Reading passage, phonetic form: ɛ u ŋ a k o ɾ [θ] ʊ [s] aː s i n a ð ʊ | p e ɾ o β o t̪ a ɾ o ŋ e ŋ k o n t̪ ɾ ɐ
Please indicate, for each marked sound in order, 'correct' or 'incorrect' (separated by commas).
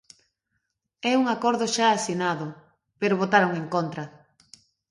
incorrect, incorrect